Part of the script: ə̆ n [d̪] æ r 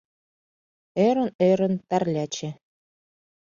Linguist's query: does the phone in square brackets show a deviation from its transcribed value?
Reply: yes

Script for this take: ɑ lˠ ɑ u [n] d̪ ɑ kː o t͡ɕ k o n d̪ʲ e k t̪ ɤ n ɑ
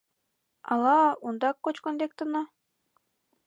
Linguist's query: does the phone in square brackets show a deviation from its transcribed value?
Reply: no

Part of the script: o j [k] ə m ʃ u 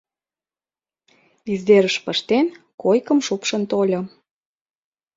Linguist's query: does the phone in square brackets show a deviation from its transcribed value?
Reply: no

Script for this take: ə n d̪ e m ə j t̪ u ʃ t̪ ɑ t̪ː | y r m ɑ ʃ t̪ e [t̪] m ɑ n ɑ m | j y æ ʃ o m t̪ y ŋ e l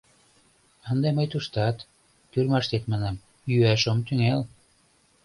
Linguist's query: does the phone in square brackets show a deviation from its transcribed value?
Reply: no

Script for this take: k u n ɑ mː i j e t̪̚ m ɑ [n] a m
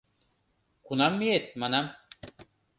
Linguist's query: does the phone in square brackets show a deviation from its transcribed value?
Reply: no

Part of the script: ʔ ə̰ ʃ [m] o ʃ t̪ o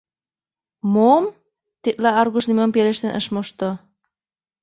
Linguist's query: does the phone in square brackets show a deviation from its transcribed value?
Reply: no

